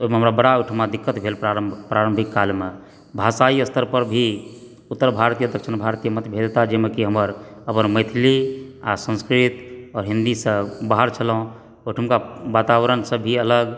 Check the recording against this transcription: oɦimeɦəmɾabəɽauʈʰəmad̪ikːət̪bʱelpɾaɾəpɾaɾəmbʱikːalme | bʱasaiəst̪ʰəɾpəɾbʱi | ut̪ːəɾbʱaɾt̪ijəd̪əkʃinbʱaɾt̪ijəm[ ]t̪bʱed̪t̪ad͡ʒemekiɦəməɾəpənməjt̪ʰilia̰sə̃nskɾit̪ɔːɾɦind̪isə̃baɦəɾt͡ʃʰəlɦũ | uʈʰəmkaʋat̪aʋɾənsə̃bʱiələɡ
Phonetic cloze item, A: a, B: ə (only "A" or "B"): B